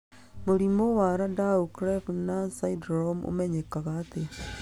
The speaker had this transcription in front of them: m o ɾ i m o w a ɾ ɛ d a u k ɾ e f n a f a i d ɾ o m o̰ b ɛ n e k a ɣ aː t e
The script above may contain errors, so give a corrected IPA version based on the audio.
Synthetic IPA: m o ɾ i m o w a ɾ a d a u k ɾ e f n a s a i d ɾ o m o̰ m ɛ ɲ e k a ɣ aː t e